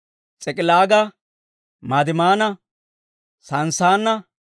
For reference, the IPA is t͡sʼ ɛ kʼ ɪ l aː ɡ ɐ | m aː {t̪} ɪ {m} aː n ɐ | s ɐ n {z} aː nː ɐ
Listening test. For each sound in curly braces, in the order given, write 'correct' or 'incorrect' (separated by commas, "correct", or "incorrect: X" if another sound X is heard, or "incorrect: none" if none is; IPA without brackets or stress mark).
incorrect: d̪, correct, incorrect: s